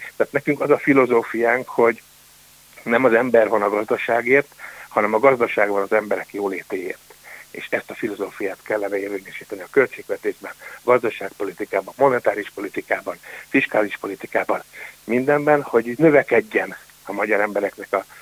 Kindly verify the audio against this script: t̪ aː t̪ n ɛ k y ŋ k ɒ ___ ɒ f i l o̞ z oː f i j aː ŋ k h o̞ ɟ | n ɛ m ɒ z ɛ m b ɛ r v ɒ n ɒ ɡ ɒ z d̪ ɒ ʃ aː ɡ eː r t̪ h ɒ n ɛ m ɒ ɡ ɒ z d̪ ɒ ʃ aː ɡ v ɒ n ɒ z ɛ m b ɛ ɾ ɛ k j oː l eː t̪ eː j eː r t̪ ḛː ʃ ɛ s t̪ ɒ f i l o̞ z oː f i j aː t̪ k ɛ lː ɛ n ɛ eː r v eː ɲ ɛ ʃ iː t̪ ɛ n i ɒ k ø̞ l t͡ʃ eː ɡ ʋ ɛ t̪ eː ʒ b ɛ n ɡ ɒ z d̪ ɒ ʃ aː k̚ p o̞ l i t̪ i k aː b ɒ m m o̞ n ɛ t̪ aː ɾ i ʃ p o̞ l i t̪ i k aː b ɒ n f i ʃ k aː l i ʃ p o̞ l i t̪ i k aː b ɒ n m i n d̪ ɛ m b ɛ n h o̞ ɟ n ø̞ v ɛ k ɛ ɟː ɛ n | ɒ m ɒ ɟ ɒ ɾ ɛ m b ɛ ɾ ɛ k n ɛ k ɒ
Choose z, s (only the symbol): z